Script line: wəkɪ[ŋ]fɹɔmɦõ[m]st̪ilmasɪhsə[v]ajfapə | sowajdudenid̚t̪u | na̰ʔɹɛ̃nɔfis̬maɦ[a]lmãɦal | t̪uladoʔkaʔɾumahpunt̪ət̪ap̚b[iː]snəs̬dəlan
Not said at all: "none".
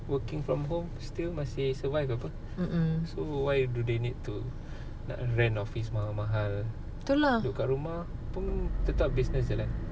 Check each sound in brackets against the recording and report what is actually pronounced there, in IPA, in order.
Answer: ŋ, m, v, a, i

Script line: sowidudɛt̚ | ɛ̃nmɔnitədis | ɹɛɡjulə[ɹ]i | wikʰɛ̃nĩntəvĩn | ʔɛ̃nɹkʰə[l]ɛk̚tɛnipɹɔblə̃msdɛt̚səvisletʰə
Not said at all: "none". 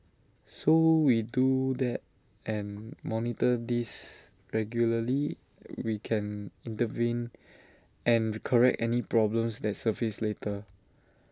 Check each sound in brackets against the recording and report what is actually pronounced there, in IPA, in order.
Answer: l, ɹ

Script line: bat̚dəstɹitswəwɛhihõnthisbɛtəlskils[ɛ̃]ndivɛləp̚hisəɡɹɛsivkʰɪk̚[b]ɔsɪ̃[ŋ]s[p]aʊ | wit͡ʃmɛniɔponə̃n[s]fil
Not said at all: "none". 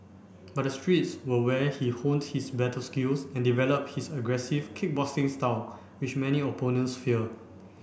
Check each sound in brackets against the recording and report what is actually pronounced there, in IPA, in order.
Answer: ɛ̃, b, ŋ, t, s

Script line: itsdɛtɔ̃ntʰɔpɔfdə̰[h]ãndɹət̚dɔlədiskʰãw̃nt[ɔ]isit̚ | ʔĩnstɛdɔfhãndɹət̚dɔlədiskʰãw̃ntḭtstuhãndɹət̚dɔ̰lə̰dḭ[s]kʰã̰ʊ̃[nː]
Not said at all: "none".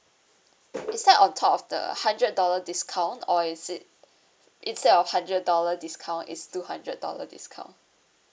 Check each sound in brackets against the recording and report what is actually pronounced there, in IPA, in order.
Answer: h, ɔ, s, n

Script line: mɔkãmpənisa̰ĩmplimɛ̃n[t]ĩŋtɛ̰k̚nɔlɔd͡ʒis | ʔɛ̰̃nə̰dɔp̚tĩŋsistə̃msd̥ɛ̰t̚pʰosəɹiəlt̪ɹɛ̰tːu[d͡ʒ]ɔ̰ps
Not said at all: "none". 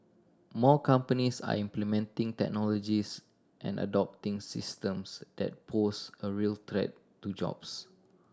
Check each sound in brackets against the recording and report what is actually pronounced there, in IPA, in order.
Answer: t, d͡ʒ

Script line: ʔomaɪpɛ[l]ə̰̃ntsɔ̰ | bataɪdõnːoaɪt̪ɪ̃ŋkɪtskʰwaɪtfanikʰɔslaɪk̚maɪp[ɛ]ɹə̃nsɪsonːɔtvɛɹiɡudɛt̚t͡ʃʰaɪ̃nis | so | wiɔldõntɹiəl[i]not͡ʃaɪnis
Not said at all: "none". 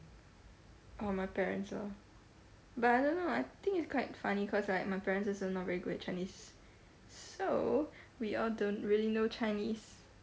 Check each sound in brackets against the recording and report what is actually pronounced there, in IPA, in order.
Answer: ɹ, ɛ, i

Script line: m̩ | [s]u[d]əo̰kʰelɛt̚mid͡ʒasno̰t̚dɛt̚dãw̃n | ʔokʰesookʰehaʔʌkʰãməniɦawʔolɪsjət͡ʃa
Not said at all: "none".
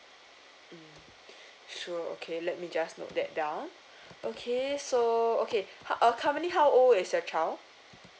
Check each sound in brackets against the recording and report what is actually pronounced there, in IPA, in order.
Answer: ʃ, none

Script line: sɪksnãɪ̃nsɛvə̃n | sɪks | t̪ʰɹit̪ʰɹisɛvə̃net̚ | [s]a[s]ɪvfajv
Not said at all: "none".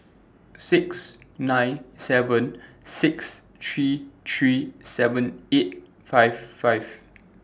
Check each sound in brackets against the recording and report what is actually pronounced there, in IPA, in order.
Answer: f, none

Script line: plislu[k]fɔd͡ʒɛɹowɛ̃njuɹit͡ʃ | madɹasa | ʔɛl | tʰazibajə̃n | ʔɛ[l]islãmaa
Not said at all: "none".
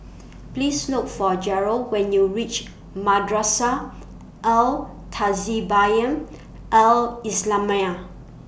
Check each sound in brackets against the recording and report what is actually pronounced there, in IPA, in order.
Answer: k, l

